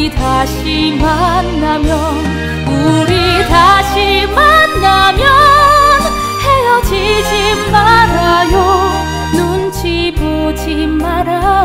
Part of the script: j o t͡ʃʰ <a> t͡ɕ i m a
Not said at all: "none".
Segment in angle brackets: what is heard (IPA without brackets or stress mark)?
i